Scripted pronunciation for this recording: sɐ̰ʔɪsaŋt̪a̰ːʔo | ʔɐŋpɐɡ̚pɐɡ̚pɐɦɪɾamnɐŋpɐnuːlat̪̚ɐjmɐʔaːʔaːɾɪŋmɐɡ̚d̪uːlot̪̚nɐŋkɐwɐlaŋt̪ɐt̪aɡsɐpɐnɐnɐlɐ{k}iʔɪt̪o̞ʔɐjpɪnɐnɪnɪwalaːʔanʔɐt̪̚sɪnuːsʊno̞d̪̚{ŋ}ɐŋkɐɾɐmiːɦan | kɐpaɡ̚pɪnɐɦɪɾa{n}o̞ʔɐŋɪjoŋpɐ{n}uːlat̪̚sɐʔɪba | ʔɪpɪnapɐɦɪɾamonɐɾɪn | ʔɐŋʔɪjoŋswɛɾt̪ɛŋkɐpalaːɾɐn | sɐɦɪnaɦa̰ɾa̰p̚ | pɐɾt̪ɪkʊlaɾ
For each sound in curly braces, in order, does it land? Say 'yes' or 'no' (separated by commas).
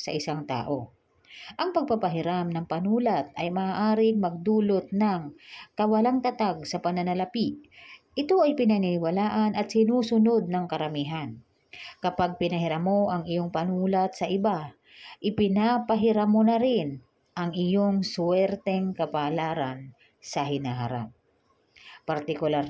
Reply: no, no, no, yes